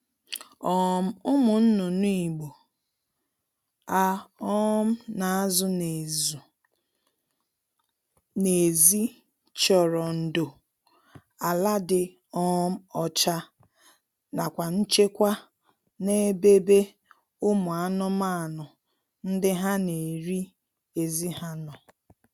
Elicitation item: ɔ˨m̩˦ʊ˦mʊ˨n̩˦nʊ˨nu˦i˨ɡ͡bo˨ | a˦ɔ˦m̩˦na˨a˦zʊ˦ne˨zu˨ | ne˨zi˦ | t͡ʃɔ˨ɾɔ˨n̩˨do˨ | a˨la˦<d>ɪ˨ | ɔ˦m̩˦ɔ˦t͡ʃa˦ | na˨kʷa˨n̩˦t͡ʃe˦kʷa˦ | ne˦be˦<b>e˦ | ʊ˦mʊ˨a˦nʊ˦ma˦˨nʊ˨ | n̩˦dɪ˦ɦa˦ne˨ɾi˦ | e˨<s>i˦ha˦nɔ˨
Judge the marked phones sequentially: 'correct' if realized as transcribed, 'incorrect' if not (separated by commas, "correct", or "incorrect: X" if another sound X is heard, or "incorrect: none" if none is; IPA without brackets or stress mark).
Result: correct, correct, incorrect: z